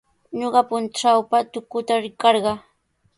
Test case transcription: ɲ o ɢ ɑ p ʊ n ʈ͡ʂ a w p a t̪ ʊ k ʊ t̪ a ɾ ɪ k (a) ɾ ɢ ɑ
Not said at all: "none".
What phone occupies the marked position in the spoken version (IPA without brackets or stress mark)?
ɑ